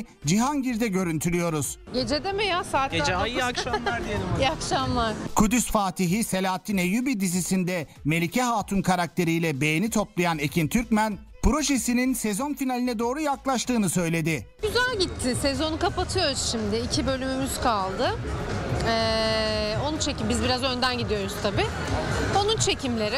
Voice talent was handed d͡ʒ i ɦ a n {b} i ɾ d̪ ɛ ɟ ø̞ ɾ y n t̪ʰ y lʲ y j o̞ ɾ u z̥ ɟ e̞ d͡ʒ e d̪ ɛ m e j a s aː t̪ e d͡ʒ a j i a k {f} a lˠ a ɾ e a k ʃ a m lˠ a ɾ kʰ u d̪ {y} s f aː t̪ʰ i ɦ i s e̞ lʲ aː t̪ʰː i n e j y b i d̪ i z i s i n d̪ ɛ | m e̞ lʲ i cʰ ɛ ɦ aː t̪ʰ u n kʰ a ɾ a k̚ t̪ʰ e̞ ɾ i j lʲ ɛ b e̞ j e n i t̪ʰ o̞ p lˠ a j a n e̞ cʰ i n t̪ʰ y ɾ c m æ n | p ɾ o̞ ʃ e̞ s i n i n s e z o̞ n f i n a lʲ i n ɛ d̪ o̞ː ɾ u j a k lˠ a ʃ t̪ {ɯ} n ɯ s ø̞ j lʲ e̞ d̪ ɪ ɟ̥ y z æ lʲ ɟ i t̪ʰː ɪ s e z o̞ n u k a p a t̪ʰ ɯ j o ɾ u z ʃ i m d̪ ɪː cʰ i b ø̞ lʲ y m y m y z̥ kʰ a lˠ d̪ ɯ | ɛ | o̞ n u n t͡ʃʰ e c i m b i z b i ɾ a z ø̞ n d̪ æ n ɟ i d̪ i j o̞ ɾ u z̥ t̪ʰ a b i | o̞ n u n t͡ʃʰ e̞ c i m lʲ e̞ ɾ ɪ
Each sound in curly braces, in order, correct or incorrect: incorrect, incorrect, correct, incorrect

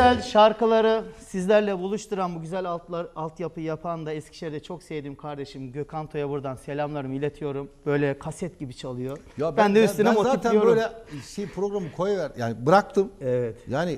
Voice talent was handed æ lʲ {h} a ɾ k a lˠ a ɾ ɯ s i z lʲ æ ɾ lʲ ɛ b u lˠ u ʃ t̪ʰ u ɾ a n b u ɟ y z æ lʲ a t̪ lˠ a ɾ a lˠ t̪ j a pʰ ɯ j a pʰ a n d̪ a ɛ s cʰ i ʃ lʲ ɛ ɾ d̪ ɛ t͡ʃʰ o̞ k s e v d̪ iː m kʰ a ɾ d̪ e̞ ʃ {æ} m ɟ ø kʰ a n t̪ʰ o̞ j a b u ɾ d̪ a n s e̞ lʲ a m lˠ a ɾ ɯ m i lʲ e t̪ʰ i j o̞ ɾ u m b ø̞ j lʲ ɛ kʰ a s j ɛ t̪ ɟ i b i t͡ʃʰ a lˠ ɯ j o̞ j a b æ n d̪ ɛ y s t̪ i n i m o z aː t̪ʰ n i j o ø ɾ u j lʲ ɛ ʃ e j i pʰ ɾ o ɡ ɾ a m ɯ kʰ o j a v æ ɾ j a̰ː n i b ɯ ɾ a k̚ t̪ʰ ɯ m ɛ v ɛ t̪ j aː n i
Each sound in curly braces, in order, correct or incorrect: incorrect, incorrect

